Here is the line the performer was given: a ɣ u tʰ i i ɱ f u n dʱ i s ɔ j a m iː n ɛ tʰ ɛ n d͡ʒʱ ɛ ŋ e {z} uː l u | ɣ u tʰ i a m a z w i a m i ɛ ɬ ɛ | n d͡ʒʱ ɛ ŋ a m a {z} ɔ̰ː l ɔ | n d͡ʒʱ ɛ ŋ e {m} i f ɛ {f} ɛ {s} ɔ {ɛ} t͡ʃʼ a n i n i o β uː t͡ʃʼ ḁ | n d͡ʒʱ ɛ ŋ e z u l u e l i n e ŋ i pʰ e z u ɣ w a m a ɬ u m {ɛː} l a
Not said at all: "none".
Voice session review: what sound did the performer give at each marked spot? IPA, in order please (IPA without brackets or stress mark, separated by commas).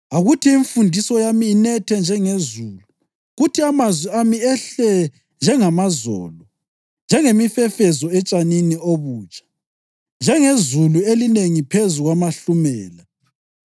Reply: z, z, m, f, z, ɛ, ɛː